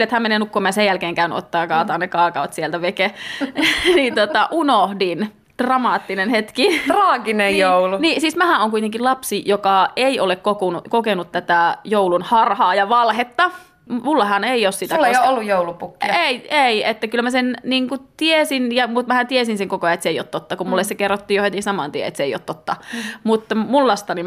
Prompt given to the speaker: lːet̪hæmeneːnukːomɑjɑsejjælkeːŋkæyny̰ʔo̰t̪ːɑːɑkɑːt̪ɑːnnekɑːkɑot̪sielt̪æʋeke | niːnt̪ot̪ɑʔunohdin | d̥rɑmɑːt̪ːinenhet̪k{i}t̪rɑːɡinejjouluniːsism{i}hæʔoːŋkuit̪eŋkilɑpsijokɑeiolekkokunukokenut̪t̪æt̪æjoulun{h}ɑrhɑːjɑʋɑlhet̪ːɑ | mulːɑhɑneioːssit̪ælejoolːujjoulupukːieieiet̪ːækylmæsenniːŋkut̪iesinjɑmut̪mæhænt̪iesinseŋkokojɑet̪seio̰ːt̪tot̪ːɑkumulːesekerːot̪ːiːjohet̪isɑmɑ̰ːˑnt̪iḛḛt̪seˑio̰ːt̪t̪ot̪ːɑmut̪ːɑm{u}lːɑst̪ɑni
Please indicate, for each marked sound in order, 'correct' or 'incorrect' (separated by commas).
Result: correct, incorrect, correct, correct